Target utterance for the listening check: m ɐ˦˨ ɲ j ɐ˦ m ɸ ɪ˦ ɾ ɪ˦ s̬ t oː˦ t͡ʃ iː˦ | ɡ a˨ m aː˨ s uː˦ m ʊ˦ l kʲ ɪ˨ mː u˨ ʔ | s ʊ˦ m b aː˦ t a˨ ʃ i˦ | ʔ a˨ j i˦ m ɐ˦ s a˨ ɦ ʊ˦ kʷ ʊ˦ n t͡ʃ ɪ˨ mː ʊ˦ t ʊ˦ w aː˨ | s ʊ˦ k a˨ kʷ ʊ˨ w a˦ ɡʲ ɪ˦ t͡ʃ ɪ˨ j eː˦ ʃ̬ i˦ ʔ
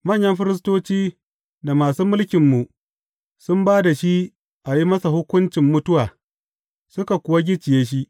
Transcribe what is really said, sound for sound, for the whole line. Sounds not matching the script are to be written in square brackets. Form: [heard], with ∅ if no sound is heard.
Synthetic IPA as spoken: m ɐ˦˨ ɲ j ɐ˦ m ɸ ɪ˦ ɾ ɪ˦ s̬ t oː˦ t͡ʃ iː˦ | [d] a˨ m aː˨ s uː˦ m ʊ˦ l kʲ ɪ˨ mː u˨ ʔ | s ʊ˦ m b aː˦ [d] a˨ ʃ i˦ | ʔ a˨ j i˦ m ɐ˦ s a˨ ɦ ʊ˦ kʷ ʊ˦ n t͡ʃ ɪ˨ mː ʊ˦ t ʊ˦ w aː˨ | s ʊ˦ k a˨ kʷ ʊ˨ w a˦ ɡʲ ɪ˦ t͡ʃ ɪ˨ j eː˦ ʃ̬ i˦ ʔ